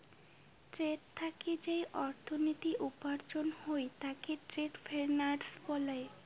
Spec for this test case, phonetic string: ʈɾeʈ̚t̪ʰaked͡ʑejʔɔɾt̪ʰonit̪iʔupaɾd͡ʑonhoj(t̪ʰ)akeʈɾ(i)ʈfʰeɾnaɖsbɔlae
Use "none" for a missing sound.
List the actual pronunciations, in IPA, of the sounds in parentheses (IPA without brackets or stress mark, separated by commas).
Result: t̪, e